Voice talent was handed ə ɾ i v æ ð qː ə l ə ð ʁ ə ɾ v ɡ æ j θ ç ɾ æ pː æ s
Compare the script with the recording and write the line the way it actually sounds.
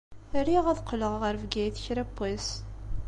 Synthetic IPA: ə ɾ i ʁ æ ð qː ə l ə ʁ ʁ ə ɾ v ɡ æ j θ ç ɾ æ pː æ s